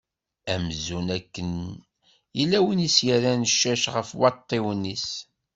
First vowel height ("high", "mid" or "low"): low